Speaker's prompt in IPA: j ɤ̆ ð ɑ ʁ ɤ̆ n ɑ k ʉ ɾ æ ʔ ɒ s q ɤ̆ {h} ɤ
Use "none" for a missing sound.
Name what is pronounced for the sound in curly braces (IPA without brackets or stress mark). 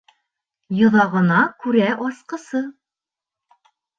s